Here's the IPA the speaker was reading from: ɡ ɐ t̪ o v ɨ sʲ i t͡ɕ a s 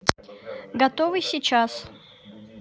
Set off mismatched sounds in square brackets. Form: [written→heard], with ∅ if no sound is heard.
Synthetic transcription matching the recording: ɡ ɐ t̪ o v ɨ sʲ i t͡ɕ a s